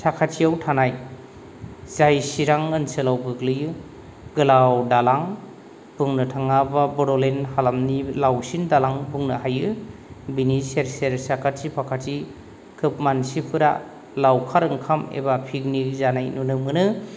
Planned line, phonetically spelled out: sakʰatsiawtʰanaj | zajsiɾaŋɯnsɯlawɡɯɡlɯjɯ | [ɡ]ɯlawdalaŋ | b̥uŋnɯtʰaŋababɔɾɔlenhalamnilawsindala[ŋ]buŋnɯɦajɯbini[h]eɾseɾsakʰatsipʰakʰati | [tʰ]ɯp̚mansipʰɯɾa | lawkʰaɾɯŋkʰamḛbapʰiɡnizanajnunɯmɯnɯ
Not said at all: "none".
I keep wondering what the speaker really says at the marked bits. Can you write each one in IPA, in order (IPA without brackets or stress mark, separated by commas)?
ɡ, ŋ, s, kʰ